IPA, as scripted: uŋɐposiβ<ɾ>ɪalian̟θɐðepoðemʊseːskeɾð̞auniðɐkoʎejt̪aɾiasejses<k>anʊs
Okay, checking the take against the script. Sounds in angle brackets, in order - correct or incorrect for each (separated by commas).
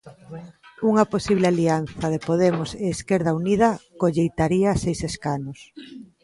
incorrect, correct